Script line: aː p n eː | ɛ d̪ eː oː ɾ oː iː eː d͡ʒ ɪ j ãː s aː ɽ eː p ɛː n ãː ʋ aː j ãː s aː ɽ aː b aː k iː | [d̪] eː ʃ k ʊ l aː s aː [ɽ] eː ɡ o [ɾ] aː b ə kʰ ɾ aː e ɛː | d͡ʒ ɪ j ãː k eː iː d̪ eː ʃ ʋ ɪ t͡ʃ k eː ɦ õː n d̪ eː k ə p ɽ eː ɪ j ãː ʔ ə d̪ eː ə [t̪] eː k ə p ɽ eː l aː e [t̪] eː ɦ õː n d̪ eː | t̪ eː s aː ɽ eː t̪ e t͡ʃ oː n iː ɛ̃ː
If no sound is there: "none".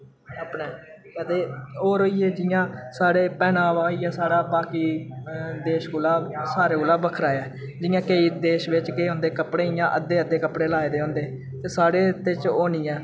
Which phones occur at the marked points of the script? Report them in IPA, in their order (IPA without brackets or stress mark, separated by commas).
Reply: d̪, ɾ, l, d̪, d̪